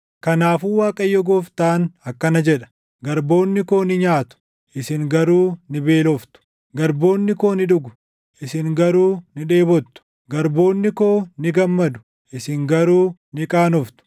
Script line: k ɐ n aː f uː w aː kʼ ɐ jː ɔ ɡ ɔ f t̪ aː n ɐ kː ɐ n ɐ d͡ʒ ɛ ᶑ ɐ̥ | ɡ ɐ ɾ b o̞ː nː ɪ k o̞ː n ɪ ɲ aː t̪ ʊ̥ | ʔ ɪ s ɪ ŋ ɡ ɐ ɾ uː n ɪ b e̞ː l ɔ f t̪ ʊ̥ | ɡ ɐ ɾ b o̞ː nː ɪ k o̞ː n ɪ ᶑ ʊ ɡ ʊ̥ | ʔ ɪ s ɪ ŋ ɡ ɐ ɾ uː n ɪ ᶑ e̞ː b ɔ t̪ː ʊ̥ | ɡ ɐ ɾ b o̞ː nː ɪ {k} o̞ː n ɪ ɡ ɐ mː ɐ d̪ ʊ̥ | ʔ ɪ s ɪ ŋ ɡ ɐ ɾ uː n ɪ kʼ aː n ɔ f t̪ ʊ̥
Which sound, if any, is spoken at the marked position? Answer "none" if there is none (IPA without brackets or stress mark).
k